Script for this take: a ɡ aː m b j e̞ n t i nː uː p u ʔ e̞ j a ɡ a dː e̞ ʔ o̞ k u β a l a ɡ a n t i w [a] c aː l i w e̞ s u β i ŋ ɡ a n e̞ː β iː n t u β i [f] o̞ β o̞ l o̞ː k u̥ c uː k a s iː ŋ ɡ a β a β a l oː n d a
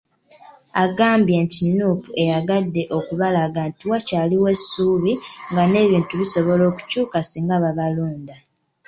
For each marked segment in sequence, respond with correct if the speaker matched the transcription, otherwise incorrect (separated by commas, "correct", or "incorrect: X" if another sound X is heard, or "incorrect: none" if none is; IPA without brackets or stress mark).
correct, incorrect: s